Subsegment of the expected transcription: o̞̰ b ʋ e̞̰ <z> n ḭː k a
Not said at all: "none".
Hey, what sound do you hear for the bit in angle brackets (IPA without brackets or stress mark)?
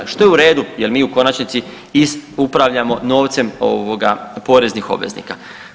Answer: z